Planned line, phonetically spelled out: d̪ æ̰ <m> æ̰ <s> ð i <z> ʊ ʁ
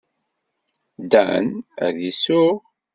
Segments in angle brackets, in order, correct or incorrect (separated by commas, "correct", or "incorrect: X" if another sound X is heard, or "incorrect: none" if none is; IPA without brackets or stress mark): incorrect: n, incorrect: none, incorrect: s